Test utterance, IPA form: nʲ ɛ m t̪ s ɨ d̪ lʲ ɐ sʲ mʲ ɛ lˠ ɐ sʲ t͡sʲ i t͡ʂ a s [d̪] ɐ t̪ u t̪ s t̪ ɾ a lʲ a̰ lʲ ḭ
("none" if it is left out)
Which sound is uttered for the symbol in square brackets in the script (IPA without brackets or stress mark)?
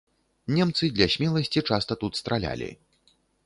t̪